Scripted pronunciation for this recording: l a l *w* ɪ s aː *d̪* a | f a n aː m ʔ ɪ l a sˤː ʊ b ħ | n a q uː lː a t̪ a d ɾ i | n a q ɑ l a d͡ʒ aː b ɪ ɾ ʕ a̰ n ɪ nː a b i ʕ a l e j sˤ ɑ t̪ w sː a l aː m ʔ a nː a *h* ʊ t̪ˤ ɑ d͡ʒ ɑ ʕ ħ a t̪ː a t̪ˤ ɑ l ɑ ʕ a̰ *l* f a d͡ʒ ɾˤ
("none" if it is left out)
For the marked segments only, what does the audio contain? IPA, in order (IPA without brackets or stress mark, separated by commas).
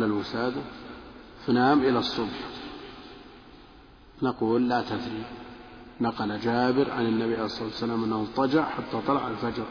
w, d̪, h, l